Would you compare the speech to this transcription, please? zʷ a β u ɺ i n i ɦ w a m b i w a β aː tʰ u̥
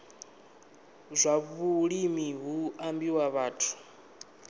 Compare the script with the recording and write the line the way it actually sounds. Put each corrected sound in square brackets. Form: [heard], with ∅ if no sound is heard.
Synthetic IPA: zʷ a β u ɺ i [m] i ɦ [u] a m b i w a β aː tʰ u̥